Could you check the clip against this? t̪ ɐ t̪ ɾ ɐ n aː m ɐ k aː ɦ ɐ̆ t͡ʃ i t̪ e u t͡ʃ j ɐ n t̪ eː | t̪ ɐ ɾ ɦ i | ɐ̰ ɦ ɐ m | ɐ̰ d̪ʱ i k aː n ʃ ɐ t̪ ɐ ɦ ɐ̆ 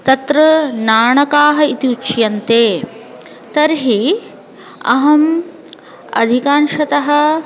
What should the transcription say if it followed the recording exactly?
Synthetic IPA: t̪ ɐ t̪ ɾ ɐ n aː ɳ ɐ k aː ɦ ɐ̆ i t̪ i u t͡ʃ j ɐ n t̪ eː | t̪ ɐ ɾ ɦ i | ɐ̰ ɦ ɐ m | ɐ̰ d̪ʱ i k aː n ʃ ɐ t̪ ɐ ɦ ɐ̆